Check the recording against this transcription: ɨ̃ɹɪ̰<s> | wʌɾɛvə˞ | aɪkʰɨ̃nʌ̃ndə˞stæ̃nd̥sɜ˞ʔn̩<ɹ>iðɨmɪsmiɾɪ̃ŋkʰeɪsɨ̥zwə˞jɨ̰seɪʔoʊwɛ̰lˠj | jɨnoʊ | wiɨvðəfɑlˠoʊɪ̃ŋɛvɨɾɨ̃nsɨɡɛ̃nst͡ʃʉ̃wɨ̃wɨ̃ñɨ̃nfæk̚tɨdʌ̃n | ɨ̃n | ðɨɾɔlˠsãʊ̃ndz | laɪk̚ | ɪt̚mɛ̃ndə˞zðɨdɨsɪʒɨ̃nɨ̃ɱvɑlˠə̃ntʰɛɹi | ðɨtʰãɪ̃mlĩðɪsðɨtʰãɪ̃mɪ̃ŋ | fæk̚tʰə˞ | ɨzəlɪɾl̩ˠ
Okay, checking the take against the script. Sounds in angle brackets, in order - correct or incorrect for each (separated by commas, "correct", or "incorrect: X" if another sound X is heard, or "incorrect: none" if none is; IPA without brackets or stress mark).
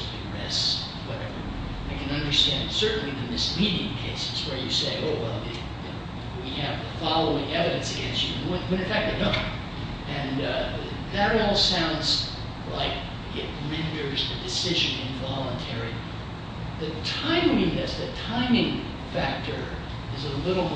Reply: correct, incorrect: l